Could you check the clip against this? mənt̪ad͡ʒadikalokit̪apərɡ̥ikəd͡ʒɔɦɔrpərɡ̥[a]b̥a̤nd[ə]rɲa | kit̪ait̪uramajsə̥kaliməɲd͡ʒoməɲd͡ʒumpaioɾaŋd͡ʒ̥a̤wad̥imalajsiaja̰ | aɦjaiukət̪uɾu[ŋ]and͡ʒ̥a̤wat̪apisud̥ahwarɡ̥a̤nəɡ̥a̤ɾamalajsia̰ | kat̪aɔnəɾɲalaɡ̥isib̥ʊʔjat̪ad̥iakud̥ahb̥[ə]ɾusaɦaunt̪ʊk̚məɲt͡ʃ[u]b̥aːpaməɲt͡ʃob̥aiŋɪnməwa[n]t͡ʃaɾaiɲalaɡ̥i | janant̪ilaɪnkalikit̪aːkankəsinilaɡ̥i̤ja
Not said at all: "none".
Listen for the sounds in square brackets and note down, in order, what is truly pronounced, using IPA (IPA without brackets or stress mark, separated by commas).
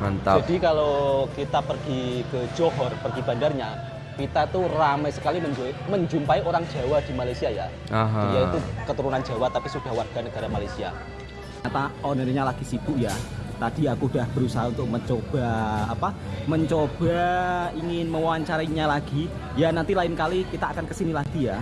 i, a, n, ə, o, ɲ